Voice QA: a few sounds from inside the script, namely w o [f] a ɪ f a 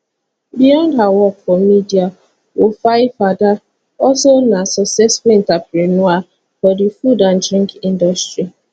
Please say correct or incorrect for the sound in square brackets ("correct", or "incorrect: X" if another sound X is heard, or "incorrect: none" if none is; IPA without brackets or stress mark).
correct